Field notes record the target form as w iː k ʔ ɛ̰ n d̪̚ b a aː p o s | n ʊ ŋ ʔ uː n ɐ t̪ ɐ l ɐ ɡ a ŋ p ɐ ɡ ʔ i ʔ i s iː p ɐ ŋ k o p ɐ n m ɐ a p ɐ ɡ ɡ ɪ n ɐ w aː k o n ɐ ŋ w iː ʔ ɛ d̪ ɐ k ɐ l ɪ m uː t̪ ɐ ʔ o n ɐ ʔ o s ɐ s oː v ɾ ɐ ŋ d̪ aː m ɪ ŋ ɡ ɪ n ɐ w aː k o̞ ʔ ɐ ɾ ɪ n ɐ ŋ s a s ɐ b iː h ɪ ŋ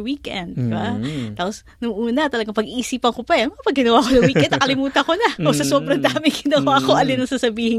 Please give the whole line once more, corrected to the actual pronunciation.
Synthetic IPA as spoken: w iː k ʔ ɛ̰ n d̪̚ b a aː p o s | n ʊ ŋ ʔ uː n ɐ t̪ ɐ l ɐ ɡ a ŋ p ɐ ɡ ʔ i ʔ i s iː p ɐ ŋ k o p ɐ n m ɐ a p ɐ ɡ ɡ ɪ n ɐ w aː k o n ɐ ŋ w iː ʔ ɛ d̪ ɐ k ɐ l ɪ m uː t̪ ɐ k o n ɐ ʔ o s ɐ s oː b ɾ ɐ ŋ d̪ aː m ɪ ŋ ɡ ɪ n ɐ w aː k o̞ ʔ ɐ l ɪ n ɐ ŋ s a s ɐ b iː h ɪ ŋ